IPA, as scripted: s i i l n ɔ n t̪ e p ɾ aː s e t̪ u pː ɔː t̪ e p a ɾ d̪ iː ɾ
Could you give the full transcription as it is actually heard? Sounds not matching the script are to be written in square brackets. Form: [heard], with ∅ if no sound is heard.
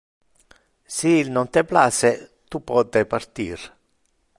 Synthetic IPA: s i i l n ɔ n t̪ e p [l] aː s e t̪ u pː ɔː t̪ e p a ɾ [t̪] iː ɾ